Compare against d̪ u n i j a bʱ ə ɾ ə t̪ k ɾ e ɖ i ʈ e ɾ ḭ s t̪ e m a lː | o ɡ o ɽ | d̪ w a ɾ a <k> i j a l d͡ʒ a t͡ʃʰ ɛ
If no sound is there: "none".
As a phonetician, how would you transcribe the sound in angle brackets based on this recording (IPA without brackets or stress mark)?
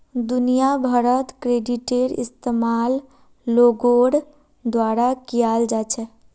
k